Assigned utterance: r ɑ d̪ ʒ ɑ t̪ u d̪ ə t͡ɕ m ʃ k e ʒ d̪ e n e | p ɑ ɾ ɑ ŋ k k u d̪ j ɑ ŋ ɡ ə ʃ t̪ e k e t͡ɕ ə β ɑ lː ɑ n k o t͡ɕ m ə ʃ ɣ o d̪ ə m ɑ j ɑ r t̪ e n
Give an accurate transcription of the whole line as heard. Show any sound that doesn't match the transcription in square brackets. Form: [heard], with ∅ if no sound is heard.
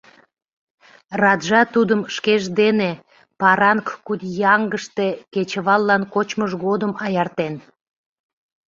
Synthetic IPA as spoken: r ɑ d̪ ʒ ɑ t̪ u d̪ ə [∅] m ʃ k e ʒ d̪ e n e | p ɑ ɾ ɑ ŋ k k u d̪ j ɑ ŋ ɡ ə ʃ t̪ e k e t͡ɕ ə β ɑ lː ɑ n k o t͡ɕ m ə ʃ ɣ o d̪ ə m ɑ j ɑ r t̪ e n